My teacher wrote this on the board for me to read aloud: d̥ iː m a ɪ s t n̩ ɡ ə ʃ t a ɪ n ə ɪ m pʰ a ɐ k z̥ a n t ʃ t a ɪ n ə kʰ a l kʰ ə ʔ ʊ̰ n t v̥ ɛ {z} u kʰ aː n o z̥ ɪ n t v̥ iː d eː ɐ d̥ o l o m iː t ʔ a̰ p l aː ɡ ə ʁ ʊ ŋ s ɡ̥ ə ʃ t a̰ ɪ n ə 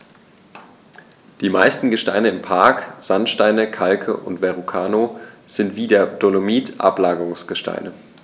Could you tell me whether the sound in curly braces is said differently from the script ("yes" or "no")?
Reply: yes